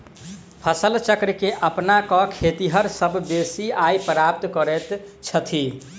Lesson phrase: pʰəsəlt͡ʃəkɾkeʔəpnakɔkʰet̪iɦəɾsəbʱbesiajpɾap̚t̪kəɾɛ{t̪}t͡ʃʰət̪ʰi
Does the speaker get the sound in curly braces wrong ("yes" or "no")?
no